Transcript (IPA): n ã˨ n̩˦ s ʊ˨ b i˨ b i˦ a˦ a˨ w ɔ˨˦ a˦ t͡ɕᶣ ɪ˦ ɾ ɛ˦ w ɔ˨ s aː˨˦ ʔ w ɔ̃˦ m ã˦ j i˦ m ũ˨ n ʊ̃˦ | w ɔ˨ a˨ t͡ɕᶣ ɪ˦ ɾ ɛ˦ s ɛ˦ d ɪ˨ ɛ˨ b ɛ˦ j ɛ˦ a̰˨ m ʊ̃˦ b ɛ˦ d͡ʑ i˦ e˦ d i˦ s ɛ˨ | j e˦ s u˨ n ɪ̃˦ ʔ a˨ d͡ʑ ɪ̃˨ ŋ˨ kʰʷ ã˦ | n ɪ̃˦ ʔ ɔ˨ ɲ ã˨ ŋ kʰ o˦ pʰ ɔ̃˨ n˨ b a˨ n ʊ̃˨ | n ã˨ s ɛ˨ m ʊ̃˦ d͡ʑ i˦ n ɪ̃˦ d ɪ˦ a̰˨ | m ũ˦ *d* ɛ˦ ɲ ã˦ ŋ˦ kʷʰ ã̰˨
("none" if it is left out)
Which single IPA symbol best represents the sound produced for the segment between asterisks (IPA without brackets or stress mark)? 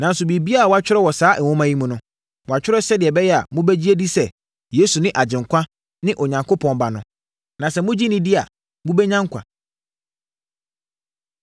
b